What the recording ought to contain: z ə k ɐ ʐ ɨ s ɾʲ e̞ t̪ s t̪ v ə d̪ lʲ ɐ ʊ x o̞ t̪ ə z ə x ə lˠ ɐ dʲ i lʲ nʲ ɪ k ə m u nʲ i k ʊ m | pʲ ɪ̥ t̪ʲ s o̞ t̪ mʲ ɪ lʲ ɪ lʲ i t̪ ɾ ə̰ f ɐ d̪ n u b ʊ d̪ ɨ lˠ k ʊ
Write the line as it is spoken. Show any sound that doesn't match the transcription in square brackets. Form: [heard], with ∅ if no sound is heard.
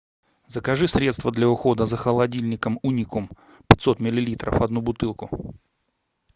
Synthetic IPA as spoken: z ə k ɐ ʐ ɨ s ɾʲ e̞ t̪ s t̪ v ə d̪ lʲ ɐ ʊ x o̞ [d̪] ə z ə x ə lˠ ɐ dʲ i lʲ nʲ ɪ k ə m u nʲ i k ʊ m | pʲ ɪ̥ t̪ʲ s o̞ t̪ mʲ ɪ lʲ ɪ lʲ i t̪ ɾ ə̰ f ɐ d̪ n u b ʊ [t̪] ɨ lˠ k ʊ